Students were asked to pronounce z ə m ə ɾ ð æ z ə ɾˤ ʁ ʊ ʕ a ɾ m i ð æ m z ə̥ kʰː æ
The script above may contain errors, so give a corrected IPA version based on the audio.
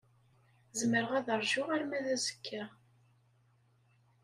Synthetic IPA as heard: z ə m ə ɾ ʁ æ ð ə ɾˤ ʒ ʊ ʁ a ɾ m æ ð æ z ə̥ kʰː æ